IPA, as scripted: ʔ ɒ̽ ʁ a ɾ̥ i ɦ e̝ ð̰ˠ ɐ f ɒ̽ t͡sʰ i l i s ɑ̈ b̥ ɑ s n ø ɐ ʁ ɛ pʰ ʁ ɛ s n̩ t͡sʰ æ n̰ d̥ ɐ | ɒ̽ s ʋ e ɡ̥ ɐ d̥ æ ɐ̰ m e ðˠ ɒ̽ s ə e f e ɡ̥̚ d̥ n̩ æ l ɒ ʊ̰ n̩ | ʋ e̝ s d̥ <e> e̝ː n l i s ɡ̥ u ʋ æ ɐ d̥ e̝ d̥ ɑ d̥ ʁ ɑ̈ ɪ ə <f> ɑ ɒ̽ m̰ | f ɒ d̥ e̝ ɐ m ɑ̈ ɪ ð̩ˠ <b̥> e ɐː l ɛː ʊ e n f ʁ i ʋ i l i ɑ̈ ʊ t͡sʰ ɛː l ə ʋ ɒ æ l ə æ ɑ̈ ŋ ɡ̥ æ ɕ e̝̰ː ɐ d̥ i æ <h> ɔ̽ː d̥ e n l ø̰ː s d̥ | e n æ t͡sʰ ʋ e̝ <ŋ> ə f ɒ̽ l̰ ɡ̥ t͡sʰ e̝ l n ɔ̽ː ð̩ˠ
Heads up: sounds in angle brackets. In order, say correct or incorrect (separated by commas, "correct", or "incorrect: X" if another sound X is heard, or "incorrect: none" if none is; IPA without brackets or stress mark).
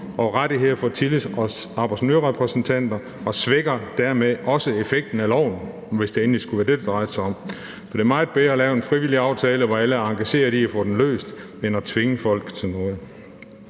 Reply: correct, incorrect: s, correct, incorrect: f, correct